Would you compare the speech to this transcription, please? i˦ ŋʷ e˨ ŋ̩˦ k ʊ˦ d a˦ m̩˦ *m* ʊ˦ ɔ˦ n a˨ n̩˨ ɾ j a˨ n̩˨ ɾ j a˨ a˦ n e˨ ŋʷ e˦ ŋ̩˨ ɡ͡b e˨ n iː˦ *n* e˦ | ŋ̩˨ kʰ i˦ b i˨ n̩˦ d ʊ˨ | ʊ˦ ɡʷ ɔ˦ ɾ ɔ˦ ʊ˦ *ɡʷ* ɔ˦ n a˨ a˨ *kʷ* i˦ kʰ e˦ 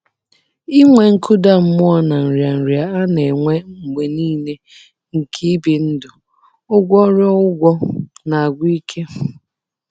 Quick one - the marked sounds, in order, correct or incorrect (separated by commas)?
correct, correct, correct, incorrect